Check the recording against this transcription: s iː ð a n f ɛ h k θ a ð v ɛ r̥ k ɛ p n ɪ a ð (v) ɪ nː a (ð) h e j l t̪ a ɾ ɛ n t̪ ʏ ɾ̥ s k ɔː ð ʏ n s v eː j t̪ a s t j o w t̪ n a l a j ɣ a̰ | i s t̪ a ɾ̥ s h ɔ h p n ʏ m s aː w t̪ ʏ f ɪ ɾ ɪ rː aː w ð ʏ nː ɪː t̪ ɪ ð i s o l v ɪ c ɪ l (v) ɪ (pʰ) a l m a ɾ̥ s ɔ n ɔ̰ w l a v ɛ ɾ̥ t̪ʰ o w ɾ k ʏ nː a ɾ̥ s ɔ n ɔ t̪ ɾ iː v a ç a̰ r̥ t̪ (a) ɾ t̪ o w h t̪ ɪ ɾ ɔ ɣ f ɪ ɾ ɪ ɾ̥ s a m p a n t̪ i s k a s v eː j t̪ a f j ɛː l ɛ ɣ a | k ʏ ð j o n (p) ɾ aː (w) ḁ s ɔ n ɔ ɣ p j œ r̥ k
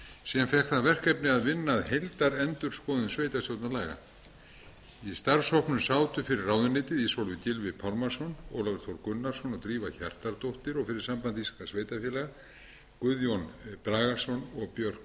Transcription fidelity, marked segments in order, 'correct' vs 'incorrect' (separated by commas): correct, correct, correct, correct, correct, correct, incorrect